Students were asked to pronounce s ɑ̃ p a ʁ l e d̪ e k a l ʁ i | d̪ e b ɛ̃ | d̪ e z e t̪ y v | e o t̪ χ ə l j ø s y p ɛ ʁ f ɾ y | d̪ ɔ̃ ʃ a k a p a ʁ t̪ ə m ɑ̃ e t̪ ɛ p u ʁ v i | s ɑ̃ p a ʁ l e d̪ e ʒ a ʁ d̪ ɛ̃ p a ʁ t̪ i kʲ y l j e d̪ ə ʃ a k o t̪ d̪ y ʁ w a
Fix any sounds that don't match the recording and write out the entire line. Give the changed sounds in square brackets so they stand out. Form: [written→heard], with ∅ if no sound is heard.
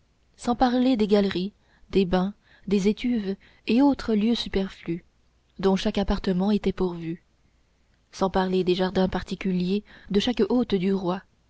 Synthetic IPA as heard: s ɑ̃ p a ʁ l e d̪ e [k→ɡ] a l ʁ i | d̪ e b ɛ̃ | d̪ e z e t̪ y v | e o t̪ χ ə l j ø s y p ɛ ʁ f [ɾ→l] y | d̪ ɔ̃ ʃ a k a p a ʁ t̪ ə m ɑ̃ e t̪ ɛ p u ʁ v [i→y] | s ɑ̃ p a ʁ l e d̪ e ʒ a ʁ d̪ ɛ̃ p a ʁ t̪ i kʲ y l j e d̪ ə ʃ a k o t̪ d̪ y ʁ w a